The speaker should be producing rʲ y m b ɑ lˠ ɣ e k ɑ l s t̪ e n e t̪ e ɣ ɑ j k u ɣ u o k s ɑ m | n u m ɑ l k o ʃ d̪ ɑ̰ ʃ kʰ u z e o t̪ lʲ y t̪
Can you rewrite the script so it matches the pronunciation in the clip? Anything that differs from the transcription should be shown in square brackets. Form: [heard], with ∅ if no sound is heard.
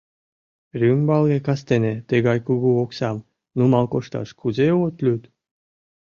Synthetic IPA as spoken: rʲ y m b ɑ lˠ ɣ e k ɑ [∅] s t̪ e n e t̪ e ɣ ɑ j k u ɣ u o k s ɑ m | n u m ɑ l k o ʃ [t̪] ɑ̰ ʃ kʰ u z e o t̪ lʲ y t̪

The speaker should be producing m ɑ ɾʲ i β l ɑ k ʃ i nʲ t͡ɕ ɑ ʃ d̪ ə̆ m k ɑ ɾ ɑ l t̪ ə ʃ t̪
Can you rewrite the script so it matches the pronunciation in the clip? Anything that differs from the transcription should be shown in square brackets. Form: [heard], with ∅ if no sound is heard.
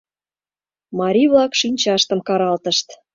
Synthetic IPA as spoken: m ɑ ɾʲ i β l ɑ k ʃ i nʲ t͡ɕ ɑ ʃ [t̪] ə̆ m k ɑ ɾ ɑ l t̪ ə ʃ t̪

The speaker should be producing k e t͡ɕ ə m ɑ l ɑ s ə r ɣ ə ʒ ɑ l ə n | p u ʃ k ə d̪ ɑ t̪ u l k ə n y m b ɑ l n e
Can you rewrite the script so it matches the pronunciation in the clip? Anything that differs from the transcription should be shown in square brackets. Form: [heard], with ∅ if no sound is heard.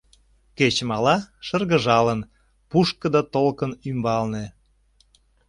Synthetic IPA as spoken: k e t͡ɕ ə m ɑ l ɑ [ʃ] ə r ɣ ə ʒ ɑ l ə n | p u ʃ k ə d̪ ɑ t̪ [o] l k ə n y m b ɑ l n e

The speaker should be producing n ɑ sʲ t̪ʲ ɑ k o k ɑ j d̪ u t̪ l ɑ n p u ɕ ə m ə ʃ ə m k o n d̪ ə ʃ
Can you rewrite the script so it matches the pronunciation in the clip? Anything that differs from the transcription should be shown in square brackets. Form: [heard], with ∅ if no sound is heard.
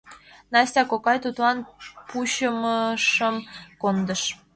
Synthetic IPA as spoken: n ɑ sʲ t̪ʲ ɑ k o k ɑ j [t̪] u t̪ l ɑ n p u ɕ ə m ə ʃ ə m k o n d̪ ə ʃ

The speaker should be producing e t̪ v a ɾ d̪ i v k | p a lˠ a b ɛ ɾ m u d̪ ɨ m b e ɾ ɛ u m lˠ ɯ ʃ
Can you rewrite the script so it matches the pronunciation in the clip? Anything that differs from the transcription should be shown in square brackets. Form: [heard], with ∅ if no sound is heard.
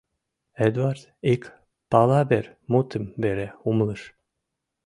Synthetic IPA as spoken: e [d̪] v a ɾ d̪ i [∅] k | p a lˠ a b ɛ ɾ m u [t̪] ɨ m b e ɾ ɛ u m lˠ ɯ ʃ

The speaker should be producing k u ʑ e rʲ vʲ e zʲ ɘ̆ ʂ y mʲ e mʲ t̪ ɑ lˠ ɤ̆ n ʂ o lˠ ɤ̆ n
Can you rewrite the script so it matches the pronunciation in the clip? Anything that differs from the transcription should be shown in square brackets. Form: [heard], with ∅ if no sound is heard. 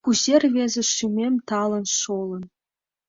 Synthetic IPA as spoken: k u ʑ e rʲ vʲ e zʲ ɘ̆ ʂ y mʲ e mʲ t̪ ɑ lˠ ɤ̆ n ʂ o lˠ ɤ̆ n

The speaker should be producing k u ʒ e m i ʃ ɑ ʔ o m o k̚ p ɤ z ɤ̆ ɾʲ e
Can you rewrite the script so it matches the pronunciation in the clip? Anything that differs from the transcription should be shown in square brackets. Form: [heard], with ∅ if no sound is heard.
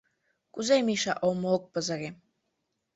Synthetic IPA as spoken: k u [z] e m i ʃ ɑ ʔ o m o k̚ p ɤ z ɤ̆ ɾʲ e

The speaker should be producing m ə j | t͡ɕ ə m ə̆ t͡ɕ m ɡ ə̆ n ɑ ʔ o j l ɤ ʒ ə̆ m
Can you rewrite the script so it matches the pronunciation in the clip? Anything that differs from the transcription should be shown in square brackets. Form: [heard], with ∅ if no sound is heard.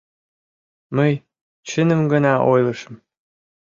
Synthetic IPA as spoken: m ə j | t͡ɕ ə [n] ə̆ [∅] m ɡ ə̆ n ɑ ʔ o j l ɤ [ʃ] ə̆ m

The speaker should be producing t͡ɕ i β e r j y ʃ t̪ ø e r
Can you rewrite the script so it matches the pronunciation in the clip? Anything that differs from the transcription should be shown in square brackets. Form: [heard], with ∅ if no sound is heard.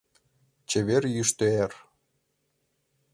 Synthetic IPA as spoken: t͡ɕ [e] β e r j y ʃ t̪ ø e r

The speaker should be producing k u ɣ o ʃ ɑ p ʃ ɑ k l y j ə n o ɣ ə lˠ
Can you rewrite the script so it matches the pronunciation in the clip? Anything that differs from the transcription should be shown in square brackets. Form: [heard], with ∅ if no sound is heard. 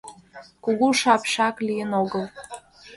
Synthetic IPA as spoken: k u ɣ [u] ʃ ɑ p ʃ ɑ k l [i] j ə n o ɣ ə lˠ

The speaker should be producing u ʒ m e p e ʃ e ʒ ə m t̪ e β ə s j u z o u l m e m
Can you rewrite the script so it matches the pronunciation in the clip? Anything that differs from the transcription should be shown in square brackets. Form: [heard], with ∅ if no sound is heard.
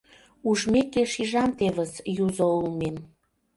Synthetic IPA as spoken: u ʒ m e [k] e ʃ [i] ʒ [ɑ] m t̪ e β ə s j u z o u l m e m

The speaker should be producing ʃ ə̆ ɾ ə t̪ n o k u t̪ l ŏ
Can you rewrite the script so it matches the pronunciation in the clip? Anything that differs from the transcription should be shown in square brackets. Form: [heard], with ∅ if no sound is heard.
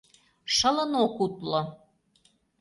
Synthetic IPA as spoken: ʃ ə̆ [l] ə [∅] n o k u t̪ l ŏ

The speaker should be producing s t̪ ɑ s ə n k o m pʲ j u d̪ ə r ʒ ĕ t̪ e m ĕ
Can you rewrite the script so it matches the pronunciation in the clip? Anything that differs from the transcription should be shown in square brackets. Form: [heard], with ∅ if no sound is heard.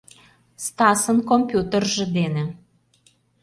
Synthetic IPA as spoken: s t̪ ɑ s ə n k o m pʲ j u [t̪] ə r ʒ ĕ [d̪] e [n] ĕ

